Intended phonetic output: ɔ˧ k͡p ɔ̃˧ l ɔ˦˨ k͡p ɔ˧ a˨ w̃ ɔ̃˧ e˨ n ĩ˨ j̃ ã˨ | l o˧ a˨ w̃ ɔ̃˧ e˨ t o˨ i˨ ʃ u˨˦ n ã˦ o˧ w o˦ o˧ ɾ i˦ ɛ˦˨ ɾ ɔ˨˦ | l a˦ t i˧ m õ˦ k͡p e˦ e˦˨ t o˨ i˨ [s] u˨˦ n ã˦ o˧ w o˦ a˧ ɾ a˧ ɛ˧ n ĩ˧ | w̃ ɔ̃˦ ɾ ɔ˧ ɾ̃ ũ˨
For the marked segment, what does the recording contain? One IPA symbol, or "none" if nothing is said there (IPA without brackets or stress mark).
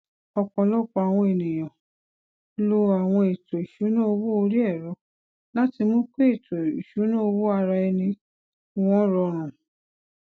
ʃ